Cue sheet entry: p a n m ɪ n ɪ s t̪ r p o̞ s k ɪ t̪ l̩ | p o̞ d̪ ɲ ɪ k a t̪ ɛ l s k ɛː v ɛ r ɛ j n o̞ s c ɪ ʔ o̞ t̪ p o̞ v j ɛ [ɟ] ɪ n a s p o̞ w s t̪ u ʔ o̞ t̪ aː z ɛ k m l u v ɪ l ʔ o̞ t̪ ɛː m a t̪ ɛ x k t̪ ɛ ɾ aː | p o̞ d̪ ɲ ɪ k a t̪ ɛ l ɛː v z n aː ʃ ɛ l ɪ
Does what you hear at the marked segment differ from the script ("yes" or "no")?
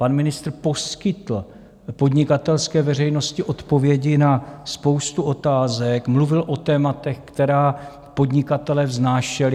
no